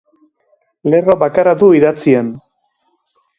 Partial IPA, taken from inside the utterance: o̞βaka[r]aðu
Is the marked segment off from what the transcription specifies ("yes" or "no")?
yes